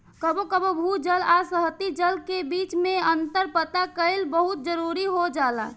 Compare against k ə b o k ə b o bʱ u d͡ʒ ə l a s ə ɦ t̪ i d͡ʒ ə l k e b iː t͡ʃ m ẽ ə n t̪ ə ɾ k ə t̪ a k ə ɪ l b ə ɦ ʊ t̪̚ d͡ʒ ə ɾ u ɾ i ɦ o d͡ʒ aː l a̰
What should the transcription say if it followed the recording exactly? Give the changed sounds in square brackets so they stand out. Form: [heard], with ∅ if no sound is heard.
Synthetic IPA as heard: k ə b o k ə b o bʱ u d͡ʒ ə l a s ə ɦ t̪ i d͡ʒ ə l k e b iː t͡ʃ m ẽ ə n t̪ ə ɾ [p] ə t̪ a k ə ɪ l b ə ɦ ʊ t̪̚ d͡ʒ ə ɾ u ɾ i ɦ o d͡ʒ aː l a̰